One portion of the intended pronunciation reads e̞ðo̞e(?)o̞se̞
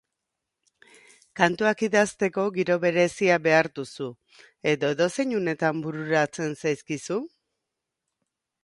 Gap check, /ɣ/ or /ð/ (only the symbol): ð